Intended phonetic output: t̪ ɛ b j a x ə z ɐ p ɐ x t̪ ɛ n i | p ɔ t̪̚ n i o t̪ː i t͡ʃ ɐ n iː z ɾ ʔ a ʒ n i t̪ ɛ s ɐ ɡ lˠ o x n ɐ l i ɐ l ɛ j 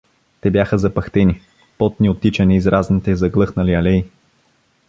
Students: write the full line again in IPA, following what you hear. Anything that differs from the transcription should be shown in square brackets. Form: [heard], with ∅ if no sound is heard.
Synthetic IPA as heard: t̪ ɛ b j a x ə z ɐ p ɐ x t̪ ɛ n i | p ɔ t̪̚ n i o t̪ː i t͡ʃ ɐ n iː z ɾ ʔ a [z] n i t̪ ɛ [z] ɐ ɡ lˠ [ɤ] x n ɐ l i ɐ l ɛ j